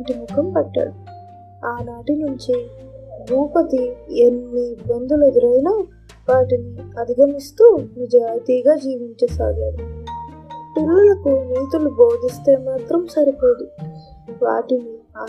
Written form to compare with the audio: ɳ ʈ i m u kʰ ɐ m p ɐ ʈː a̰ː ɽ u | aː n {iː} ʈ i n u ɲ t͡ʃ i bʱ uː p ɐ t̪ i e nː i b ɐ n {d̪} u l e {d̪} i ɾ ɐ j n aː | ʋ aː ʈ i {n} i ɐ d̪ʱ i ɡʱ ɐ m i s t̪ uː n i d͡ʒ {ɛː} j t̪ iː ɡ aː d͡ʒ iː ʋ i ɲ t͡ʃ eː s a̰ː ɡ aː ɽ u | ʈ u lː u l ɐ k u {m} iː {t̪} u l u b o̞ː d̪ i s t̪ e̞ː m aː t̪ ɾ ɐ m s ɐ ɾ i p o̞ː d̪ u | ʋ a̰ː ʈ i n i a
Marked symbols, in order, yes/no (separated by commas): no, yes, yes, yes, no, no, yes